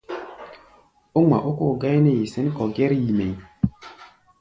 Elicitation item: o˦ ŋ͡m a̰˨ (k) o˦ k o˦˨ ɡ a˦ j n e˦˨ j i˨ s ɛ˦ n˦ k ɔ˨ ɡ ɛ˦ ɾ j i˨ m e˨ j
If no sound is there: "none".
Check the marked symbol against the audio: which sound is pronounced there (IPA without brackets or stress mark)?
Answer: ʔ